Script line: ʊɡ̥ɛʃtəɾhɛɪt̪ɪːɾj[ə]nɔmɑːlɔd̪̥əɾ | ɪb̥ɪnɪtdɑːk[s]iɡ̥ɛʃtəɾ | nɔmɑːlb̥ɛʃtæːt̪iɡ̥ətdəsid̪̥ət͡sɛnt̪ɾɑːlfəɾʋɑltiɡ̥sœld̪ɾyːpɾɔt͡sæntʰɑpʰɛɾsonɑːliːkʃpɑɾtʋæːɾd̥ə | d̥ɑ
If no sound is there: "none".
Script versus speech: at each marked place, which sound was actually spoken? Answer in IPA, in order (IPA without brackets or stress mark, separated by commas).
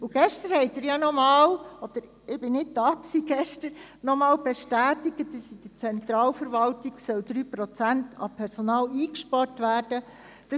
ɑ, s